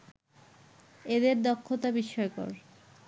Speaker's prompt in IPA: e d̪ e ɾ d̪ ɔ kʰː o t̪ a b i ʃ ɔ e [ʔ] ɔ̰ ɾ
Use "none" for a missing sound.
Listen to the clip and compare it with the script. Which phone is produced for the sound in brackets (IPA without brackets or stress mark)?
k